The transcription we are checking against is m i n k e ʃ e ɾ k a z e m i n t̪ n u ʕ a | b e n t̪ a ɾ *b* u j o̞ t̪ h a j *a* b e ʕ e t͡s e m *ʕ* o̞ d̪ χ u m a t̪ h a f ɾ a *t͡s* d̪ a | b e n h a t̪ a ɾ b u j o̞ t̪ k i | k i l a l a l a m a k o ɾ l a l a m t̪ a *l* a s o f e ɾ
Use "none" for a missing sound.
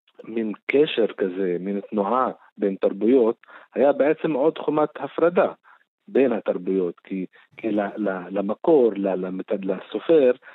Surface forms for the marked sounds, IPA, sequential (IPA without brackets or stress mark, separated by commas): b, a, ʕ, none, l